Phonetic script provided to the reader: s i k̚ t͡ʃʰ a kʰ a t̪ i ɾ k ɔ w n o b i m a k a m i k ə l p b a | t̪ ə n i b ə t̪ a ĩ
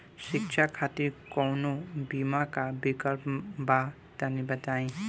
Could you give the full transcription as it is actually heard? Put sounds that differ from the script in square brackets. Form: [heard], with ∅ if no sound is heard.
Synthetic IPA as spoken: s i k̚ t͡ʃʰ a kʰ a t̪ i ɾ k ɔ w n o b i m a k a [b] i k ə l p b a | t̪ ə n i b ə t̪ a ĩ

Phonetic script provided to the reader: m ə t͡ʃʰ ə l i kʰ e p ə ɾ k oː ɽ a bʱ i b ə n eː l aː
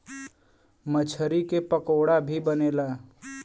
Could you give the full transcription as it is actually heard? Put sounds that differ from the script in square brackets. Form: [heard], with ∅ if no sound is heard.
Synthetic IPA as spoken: m ə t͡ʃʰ ə [ɾ] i [k] e p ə [∅] k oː ɽ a bʱ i b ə n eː l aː

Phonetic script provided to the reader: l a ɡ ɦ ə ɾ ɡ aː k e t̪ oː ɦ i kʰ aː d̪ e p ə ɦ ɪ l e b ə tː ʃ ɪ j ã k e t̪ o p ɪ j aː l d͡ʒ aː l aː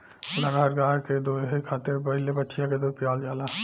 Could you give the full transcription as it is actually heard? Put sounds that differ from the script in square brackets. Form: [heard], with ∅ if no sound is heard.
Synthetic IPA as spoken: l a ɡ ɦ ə ɾ ɡ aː k e [d̪] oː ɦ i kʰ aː [t̪] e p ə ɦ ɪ l e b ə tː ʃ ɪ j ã k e [d̪] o p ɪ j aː l d͡ʒ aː l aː

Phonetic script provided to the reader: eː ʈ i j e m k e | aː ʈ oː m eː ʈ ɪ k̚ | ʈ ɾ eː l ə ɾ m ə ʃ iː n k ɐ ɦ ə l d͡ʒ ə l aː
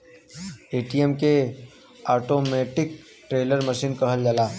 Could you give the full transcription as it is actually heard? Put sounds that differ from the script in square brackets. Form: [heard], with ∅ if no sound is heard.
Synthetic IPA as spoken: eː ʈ i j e m k e | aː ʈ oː m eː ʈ ɪ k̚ | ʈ ɾ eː l ə ɾ m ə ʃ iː n k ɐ ɦ ə l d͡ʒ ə l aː

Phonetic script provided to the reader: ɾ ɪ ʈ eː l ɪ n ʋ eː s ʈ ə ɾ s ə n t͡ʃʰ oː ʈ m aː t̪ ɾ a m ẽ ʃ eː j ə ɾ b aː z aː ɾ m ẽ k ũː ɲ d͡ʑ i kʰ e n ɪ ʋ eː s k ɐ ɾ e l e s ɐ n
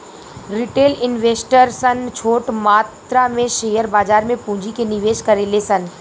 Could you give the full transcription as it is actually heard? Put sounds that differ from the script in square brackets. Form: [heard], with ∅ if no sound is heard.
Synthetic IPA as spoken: ɾ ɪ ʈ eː l ɪ n ʋ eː s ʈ ə ɾ s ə n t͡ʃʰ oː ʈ m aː t̪ ɾ a m ẽ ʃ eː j ə ɾ b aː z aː ɾ m ẽ [p] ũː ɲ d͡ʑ i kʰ e n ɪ ʋ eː [ʃ] k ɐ ɾ e l e s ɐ n

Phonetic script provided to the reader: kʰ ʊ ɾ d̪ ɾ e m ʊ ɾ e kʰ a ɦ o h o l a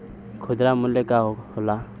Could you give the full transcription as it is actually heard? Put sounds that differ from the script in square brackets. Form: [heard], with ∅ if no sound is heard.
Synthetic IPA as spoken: kʰ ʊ [∅] d̪ ɾ [a] m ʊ [l] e [k] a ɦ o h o l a

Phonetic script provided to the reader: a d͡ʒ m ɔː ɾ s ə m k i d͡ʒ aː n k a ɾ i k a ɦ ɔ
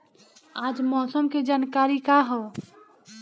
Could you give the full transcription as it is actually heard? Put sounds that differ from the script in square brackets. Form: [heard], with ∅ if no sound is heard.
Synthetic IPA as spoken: a d͡ʒ m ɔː [∅] s ə m k [e] d͡ʒ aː n k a ɾ i k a ɦ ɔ

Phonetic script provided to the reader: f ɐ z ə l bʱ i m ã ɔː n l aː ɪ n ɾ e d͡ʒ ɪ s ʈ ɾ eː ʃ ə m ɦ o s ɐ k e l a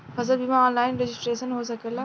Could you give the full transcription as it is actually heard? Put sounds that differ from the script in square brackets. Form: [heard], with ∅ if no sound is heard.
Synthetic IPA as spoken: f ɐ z ə l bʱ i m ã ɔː n l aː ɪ n ɾ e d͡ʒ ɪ s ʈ ɾ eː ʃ ə [n] ɦ o s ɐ k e l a

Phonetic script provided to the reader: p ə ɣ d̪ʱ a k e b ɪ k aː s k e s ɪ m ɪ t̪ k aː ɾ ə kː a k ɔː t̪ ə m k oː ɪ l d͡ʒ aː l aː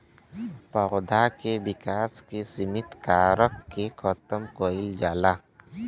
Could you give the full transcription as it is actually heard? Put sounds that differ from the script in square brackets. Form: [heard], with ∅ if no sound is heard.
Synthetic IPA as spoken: p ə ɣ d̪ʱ a k e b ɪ k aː s k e s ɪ m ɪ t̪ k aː ɾ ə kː [e] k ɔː t̪ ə m k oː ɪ l d͡ʒ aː l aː

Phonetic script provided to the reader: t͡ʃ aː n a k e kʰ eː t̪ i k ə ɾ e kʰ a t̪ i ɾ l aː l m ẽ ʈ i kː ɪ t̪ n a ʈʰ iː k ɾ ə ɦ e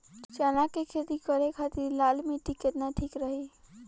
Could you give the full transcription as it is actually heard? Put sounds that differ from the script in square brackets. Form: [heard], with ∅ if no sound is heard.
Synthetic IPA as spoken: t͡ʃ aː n a k e kʰ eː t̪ i k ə ɾ e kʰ a t̪ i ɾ l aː l m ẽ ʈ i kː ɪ t̪ n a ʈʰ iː k ɾ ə ɦ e

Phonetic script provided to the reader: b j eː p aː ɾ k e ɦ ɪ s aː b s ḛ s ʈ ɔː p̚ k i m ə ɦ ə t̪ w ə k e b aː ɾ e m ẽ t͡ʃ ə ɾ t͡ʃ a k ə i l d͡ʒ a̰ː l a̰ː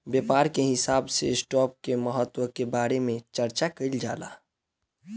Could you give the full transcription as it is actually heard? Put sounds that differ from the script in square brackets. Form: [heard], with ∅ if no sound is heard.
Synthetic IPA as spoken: b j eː p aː ɾ k e ɦ ɪ s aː b s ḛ s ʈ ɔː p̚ k [e] m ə ɦ ə t̪ w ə k e b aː ɾ e m ẽ t͡ʃ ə ɾ t͡ʃ a k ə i l d͡ʒ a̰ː l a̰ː

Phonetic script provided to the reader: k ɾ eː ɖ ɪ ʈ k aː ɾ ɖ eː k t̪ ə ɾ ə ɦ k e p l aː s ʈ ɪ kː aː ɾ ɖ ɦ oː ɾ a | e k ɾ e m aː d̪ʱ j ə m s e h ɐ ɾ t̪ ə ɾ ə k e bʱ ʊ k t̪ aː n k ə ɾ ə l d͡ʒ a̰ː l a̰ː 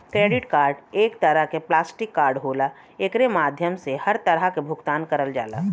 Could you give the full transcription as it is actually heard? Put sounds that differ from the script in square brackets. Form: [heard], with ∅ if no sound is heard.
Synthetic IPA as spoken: k ɾ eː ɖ ɪ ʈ k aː ɾ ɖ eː k t̪ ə ɾ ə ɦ k e p l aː s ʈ ɪ kː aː ɾ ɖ ɦ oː [l] a | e k ɾ e m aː d̪ʱ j ə m s e h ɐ ɾ t̪ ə ɾ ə k e bʱ ʊ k t̪ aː n k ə ɾ ə l d͡ʒ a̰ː l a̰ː

